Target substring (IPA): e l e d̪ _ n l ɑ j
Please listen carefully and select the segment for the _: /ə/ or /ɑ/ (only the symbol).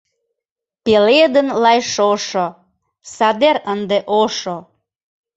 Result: ə